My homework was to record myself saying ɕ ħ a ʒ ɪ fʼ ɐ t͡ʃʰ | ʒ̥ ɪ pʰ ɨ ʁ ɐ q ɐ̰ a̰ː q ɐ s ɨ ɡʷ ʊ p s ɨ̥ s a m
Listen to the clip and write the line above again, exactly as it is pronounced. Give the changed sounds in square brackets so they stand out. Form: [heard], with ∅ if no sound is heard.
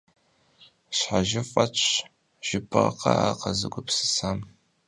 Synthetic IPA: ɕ ħ a ʒ ɪ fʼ ɐ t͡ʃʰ | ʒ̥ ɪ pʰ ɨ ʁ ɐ q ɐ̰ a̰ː q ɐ [z] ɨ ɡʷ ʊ p s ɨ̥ s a m